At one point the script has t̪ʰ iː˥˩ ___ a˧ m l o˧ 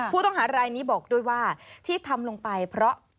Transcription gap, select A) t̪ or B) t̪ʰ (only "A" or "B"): B